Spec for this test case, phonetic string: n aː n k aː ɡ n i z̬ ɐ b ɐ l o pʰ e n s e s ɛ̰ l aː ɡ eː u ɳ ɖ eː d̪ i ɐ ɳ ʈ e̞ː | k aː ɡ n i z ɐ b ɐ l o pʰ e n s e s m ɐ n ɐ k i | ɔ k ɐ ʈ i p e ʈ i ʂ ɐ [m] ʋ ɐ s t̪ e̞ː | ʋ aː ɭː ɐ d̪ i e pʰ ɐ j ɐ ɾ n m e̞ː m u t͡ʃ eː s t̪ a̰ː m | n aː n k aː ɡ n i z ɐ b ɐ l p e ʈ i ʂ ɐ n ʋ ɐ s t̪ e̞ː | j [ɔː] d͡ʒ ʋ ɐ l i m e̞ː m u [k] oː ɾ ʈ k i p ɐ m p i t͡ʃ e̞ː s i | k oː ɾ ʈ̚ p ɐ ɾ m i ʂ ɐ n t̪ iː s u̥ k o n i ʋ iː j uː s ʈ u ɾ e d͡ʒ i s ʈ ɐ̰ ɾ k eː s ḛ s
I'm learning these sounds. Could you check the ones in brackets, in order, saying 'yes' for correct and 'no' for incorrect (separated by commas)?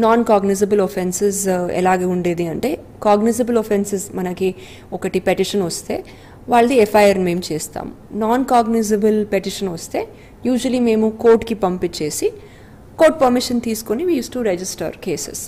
no, no, yes